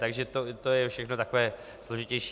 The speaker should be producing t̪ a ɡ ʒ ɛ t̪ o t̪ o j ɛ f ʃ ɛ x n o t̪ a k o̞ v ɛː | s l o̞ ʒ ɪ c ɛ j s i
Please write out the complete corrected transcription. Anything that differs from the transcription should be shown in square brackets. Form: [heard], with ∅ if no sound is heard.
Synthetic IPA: t̪ a ɡ ʒ ɛ t̪ o t̪ o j ɛ f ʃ ɛ x n o t̪ a k o̞ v ɛː | s l o̞ ʒ ɪ c ɛ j [ʃ] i